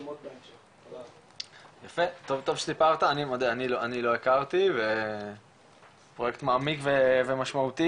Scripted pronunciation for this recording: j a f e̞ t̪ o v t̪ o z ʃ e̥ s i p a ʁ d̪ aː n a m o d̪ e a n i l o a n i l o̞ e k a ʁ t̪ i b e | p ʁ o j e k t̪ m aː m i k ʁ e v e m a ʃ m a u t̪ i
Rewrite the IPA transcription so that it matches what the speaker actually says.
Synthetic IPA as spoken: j a f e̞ t̪ o v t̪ o v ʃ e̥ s i p a ʁ t̪ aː n i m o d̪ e a n i l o a n i l o̞ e k a ʁ t̪ i v e | p ʁ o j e k t̪ m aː m i k v e v e m a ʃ m a u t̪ i